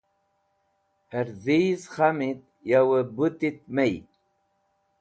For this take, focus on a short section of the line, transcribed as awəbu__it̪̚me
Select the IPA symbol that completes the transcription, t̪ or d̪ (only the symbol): t̪